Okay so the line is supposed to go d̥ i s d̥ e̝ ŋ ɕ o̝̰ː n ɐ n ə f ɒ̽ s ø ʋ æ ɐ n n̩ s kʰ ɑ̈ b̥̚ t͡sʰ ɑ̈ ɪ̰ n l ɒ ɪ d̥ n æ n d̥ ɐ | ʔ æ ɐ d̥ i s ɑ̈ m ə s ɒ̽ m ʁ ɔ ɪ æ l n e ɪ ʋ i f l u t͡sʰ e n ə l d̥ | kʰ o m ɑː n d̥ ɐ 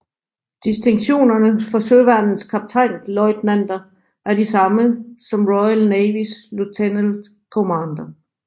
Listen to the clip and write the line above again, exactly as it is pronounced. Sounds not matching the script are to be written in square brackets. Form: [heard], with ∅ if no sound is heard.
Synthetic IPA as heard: d̥ i s d̥ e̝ ŋ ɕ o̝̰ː n ɐ n ə f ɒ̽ s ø ʋ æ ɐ n n̩ s kʰ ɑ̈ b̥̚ t͡sʰ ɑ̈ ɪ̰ n l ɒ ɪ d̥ n æ n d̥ ɐ | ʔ æ ɐ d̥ i s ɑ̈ m ə s ɒ̽ m ʁ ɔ ɪ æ l n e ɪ ʋ i [s] l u t͡sʰ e n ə l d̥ | kʰ o m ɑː n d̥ ɐ